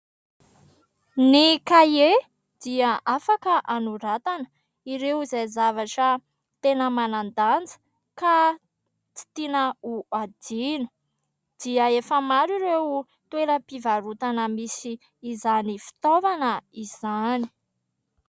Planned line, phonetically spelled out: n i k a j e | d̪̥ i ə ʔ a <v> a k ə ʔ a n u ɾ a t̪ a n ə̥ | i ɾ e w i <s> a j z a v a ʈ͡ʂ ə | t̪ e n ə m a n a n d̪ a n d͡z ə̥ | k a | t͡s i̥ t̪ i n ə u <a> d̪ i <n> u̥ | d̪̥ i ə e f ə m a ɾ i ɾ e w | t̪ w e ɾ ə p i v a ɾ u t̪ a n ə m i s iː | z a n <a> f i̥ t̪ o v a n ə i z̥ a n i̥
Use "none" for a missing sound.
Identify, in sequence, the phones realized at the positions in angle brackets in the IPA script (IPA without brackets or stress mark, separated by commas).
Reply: f, z, a, n, i